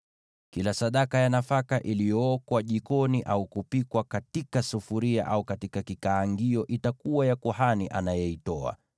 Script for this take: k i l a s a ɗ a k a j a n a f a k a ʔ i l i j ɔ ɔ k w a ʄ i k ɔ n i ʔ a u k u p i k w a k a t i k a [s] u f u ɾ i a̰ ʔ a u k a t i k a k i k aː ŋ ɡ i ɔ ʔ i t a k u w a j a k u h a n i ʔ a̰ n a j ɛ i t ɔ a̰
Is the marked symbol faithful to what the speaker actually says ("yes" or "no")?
yes